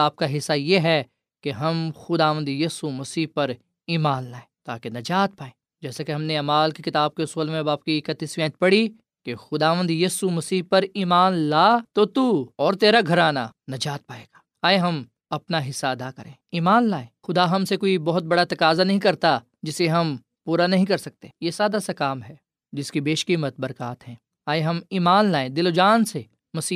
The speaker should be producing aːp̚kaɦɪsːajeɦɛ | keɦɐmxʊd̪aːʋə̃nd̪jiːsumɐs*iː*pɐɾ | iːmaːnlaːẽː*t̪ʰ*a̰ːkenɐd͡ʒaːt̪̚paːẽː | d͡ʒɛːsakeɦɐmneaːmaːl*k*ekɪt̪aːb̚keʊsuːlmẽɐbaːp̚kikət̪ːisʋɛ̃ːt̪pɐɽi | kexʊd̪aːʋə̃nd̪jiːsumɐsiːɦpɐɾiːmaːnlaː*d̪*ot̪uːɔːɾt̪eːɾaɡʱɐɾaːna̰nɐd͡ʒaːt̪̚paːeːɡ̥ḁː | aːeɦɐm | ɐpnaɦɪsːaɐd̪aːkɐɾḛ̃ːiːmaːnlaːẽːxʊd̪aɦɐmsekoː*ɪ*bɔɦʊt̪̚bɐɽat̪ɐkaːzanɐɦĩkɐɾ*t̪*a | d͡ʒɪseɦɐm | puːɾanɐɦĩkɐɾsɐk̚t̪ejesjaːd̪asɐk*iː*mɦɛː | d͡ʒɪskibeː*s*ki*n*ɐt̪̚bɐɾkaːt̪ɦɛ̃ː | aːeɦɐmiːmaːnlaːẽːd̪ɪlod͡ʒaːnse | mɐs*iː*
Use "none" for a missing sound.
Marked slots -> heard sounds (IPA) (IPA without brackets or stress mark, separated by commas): iː, t̪, k, t̪, i, t̪, aː, ʃ, m, iː